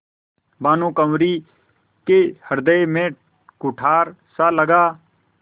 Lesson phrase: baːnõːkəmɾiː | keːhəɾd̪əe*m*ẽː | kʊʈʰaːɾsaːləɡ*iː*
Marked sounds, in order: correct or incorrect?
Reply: correct, incorrect: aː

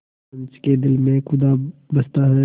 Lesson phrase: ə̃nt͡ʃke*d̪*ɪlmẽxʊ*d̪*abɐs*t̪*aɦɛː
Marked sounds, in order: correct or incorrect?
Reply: correct, correct, correct

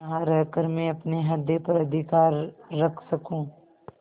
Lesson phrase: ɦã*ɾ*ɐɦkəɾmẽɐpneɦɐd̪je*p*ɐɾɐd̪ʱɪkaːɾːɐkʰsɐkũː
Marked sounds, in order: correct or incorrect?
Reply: correct, correct

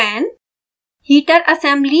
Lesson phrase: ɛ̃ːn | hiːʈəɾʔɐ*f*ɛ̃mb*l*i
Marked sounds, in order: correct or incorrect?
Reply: incorrect: s, correct

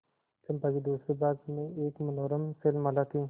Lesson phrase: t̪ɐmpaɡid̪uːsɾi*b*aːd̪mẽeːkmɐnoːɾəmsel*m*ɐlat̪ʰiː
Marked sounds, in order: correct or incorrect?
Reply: correct, correct

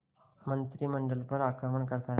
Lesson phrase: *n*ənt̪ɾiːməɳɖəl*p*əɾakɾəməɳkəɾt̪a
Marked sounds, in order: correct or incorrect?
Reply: incorrect: m, correct

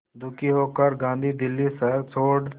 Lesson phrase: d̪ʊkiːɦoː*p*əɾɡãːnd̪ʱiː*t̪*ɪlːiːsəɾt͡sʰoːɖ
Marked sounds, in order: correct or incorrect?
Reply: incorrect: k, incorrect: d̪

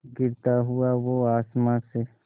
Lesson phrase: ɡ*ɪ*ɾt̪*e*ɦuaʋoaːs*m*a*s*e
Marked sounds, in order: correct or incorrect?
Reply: correct, incorrect: a, correct, correct

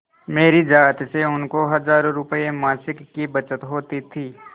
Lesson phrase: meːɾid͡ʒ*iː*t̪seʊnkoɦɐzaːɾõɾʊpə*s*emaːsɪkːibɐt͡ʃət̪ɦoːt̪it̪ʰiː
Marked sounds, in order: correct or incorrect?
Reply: incorrect: aː, incorrect: none

